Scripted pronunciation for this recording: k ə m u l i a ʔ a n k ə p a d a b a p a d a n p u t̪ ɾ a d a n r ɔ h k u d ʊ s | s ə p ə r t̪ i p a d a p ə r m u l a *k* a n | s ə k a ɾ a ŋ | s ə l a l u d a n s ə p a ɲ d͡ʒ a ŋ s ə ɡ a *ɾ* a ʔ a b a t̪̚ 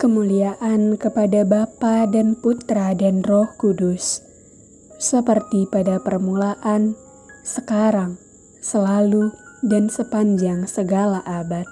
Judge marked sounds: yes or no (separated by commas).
no, no